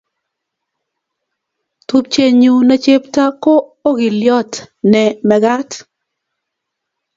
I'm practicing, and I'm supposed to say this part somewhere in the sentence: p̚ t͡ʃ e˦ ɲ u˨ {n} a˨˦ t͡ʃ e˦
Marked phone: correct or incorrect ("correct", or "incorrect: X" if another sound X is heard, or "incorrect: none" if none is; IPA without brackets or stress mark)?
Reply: correct